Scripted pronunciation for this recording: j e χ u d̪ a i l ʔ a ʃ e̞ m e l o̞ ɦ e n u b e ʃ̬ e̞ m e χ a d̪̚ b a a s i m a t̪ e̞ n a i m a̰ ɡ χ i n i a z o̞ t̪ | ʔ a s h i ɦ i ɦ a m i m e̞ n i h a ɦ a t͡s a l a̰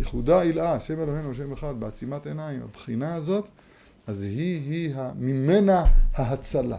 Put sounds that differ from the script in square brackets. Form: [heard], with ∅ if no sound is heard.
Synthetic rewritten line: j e χ u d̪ a i l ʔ a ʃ e̞ m e l o̞ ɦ e n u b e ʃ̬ e̞ m e χ a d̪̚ b [e] a [t͡s] i m a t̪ e̞ n a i m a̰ [b] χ i n [a] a z o̞ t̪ | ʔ a [z] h i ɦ i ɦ a m i m e̞ n [a] h a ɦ a t͡s a l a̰